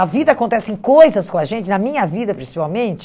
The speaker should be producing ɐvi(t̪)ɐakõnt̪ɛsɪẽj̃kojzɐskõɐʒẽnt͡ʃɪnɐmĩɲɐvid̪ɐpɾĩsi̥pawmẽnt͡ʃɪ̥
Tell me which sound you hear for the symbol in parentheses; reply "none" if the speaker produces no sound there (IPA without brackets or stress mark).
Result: d̪